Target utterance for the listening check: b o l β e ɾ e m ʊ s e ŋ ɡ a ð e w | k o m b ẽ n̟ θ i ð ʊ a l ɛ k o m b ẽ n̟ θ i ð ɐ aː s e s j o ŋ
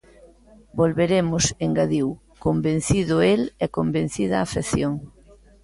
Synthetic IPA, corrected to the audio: b o l β e ɾ e m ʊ s e ŋ ɡ a ð i w | k o m b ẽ n̟ θ i ð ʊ e l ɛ k o m b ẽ n̟ θ i ð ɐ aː f e θ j o ŋ